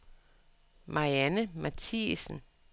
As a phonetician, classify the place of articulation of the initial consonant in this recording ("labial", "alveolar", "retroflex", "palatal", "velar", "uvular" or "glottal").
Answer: labial